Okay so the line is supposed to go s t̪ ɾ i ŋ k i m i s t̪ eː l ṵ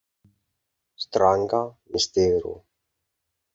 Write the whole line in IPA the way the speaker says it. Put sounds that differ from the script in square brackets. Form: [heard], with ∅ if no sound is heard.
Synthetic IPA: s t̪ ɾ [a] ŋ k [a] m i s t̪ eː [ɾ] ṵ